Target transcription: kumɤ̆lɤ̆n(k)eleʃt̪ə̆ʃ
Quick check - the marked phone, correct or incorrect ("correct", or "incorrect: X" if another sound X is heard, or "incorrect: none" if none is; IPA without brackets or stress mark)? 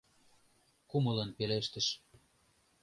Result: incorrect: p